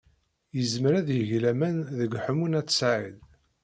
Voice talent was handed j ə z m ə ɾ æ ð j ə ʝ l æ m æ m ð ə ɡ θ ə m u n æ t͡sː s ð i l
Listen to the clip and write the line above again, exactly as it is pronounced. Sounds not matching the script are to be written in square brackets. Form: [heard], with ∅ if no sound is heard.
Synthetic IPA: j ə z m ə ɾ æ ð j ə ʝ l æ m æ [n] ð ə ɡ [ħ] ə m u n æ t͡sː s [ʕ] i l

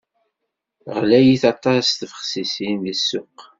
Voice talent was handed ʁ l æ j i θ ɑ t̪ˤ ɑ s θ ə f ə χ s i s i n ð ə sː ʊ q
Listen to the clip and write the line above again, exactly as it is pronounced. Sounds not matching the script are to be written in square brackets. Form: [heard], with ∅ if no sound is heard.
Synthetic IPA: ʁ l æ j i θ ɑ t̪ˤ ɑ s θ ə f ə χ s i s i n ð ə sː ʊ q

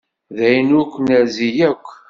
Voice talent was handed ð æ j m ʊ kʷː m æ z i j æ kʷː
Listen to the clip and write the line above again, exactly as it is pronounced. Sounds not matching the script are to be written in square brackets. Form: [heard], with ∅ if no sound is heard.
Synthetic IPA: ð æ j [n] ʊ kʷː [n] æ z i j æ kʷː

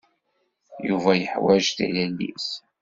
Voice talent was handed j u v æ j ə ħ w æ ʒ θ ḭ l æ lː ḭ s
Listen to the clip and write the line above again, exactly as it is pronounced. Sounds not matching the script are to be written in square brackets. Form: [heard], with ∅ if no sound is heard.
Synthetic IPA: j u v æ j ə ħ w æ ʒ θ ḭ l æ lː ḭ s

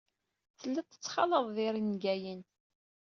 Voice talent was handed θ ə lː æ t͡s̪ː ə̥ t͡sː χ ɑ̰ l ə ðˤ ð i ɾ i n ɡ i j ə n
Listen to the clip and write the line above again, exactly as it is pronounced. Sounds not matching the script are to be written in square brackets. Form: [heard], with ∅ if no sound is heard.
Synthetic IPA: θ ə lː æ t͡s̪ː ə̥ t͡sː χ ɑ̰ l ə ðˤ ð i ɾ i n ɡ [æ] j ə n

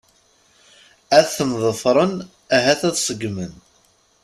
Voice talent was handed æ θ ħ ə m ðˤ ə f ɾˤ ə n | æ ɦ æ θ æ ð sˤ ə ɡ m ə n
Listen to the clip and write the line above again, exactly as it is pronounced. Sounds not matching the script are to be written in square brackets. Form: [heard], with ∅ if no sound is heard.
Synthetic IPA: æ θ [θ] ə m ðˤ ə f ɾˤ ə n | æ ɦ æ θ æ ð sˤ ə ɡ m ə n

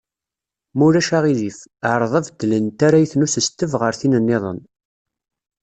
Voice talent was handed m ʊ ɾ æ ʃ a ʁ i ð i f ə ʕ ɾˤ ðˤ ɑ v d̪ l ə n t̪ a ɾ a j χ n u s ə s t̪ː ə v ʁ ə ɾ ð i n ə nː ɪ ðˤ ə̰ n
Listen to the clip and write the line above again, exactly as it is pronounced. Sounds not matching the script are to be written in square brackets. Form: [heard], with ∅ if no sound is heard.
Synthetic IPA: m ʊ ɾ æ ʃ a ʁ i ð i f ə ʕ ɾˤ ðˤ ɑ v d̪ l ə n t̪ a ɾ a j [θ] n u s ə s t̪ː ə v ʁ ə ɾ [θ] i n ə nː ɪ ðˤ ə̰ n

